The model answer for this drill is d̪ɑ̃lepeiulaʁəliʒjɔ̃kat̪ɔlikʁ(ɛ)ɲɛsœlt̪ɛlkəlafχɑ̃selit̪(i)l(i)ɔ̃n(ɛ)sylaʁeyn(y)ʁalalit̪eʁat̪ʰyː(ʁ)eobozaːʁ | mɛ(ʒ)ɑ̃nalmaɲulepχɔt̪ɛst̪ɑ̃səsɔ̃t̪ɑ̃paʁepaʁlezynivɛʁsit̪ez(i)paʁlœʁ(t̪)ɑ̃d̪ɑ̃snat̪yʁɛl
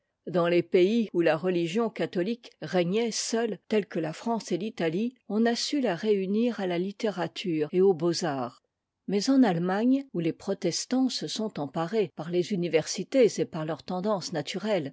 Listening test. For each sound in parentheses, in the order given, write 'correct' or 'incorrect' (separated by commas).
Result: correct, incorrect, correct, incorrect, incorrect, correct, incorrect, incorrect, correct